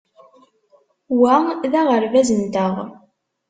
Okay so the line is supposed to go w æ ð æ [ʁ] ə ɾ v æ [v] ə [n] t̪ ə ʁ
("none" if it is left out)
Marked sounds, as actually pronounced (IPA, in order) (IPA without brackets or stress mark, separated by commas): ʁ, z, n